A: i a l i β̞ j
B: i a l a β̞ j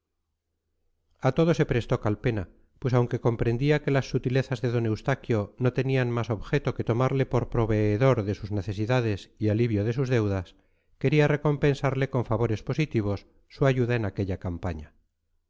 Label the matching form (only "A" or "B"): A